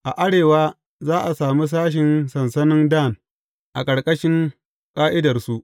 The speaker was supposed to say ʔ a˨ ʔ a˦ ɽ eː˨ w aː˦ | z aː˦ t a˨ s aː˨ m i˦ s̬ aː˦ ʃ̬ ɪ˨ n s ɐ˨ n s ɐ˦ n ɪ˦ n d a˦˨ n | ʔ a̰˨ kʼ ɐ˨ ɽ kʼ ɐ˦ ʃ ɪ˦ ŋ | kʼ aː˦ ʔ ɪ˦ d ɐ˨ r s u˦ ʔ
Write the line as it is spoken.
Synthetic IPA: ʔ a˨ ʔ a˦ ɽ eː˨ w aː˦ | z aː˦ ʔ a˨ s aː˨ m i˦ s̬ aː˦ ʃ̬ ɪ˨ n s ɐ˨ n s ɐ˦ n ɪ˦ n d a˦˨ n | ʔ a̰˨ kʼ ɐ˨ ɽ kʼ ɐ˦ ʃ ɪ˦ ŋ | kʼ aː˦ ʔ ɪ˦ d ɐ˨ r s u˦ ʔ